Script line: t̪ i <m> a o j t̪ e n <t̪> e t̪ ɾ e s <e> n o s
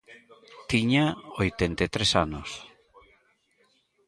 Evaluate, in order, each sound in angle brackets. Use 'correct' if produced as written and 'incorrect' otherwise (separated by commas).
incorrect, correct, incorrect